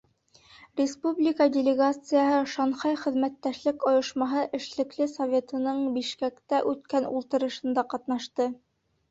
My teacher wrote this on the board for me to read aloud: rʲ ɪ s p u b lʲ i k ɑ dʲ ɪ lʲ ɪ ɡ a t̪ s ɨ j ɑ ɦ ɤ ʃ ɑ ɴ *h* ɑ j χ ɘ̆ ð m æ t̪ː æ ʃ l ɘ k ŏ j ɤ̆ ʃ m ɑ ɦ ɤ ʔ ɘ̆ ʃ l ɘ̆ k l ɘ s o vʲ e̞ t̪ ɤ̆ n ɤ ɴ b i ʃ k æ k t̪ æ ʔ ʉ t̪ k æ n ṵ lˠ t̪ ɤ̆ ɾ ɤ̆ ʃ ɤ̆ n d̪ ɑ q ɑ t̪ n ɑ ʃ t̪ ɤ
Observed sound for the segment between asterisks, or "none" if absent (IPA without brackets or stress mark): χ